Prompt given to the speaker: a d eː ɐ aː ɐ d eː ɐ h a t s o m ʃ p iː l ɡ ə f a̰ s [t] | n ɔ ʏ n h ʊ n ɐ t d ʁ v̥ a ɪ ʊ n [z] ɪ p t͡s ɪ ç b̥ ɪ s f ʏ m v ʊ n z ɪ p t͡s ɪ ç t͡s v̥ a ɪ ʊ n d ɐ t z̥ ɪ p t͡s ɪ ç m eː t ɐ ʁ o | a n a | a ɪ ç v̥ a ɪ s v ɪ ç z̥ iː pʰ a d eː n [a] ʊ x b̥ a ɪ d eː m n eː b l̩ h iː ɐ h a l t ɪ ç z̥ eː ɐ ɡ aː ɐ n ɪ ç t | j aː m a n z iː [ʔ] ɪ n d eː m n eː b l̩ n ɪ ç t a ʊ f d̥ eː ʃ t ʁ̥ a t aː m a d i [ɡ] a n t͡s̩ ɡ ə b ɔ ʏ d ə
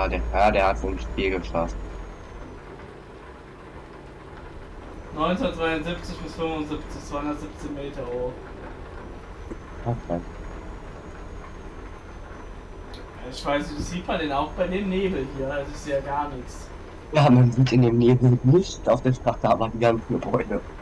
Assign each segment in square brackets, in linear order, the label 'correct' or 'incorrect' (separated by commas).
correct, correct, correct, incorrect, correct